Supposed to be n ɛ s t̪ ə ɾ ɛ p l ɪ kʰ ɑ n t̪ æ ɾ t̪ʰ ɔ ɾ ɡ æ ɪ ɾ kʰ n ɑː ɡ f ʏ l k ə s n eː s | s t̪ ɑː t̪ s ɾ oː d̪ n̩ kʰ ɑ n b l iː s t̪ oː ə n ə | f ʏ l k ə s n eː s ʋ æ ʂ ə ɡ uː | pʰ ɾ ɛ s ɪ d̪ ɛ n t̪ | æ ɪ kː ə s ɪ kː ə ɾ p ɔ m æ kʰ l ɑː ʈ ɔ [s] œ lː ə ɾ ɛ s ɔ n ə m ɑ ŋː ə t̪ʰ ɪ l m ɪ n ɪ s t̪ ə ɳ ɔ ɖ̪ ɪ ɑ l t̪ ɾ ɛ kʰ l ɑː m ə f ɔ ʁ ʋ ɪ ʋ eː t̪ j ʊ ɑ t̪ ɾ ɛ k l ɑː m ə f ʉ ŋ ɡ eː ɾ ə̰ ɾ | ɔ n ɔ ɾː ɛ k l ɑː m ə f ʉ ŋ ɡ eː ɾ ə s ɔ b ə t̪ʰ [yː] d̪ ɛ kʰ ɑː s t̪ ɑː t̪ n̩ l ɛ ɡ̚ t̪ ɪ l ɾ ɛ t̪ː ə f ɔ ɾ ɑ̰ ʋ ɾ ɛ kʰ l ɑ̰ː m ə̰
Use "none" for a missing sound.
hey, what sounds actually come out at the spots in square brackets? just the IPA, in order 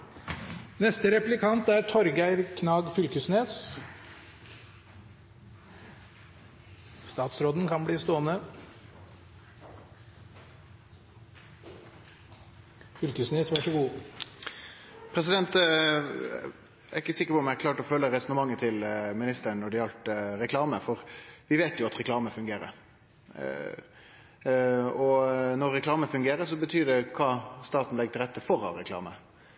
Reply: f, yː

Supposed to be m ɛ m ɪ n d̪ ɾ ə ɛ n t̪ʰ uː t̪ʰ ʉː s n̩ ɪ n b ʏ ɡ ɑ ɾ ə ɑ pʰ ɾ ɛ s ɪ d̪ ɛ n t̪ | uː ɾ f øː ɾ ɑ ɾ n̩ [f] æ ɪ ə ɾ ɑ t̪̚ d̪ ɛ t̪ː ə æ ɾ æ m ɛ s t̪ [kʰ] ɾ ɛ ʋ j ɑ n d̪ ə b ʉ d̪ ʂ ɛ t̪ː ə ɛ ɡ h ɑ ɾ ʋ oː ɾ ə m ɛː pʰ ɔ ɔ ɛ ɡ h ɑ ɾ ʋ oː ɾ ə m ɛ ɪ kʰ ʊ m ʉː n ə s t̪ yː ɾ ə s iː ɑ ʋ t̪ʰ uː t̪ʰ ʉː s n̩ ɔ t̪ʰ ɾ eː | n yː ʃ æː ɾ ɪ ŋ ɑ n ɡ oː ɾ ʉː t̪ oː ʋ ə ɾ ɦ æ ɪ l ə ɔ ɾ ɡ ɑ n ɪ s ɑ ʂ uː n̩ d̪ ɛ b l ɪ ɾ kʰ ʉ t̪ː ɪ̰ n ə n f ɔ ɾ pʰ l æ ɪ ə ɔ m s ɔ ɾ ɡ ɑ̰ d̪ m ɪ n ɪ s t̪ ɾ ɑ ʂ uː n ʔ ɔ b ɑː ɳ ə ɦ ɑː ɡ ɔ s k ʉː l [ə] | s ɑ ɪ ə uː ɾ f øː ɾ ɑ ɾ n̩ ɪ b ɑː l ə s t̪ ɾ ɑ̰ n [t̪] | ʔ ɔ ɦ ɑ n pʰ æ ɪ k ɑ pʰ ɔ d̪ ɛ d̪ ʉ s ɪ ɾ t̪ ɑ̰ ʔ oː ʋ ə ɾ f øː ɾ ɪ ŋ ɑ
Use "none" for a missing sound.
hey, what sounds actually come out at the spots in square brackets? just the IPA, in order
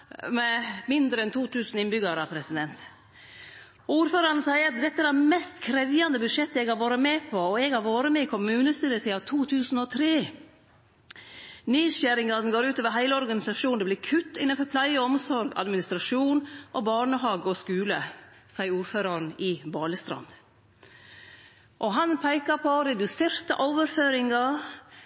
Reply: s, kʰ, ə, d̪

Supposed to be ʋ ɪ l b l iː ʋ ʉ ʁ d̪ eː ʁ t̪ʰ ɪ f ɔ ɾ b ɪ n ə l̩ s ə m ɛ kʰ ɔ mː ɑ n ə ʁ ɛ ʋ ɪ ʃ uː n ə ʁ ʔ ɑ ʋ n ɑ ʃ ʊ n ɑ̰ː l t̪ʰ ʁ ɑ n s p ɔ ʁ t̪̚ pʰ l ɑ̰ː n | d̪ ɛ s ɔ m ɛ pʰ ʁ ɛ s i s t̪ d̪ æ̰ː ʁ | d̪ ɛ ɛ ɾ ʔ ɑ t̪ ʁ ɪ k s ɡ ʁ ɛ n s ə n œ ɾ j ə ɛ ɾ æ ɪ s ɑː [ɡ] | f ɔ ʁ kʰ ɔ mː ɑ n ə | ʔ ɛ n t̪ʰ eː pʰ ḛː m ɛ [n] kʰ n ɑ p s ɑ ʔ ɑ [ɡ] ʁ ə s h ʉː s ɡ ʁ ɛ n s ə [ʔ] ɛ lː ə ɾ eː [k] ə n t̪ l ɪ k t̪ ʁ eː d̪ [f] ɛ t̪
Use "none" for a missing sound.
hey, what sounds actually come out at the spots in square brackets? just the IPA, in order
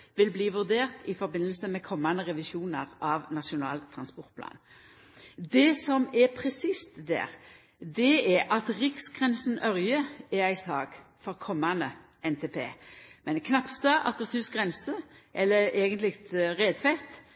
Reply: ɡ, n, k, ʔ, ɡ, f

